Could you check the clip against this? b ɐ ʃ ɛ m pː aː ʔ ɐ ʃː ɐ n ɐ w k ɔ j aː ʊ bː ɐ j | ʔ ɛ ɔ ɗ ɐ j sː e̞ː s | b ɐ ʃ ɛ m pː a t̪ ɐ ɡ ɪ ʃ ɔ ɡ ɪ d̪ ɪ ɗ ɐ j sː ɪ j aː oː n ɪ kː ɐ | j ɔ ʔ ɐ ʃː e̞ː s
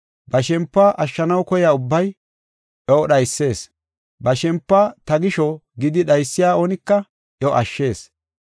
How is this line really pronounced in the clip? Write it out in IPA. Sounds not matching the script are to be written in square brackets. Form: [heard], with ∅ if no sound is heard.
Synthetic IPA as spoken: b ɐ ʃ ɛ m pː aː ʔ ɐ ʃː ɐ n ɐ w k ɔ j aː ʊ bː ɐ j | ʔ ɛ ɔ ɗ ɐ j sː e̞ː s | b ɐ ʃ ɛ m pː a t̪ ɐ ɡ ɪ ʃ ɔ ɡ ɪ d̪ ɪ ɗ ɐ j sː ɪ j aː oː n ɪ kː ɐ | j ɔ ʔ ɐ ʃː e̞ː s